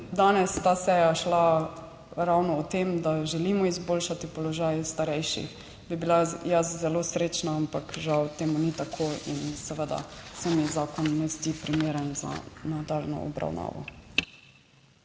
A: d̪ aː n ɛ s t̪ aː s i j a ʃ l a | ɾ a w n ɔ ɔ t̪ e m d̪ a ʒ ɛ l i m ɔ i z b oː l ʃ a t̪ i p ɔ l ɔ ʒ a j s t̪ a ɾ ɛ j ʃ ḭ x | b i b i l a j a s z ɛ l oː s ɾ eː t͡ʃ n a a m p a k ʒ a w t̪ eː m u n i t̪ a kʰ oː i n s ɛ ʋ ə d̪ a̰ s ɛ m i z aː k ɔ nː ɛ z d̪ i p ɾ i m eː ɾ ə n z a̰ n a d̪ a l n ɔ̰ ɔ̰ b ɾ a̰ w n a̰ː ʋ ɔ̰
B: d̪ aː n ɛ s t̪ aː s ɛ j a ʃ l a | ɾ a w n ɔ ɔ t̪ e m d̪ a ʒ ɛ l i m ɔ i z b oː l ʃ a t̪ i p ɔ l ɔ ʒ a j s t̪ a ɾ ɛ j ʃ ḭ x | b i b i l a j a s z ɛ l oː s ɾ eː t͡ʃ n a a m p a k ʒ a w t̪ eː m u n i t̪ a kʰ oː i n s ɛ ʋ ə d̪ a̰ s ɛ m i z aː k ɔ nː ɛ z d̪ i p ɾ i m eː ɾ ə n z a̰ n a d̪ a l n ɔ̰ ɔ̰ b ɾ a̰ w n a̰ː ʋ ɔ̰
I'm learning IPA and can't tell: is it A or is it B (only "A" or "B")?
B